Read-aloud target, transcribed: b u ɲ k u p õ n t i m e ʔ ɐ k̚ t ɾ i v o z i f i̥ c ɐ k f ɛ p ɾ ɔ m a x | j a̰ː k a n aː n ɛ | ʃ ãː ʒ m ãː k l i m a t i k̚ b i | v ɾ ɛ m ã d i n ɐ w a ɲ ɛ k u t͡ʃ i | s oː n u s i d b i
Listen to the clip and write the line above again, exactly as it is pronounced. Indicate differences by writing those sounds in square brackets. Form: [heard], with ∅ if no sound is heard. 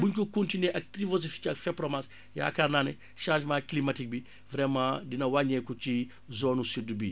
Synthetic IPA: b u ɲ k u [k] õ n t i [n] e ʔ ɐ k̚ t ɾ i v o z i f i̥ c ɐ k f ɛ p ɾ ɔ m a [s] | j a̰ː k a n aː n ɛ | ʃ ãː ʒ m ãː k l i m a t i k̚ b i | v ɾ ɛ m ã d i n ɐ w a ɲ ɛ k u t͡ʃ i | [z] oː n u s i d b i